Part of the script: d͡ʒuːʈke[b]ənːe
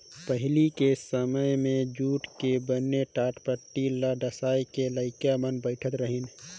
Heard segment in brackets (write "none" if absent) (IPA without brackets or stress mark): b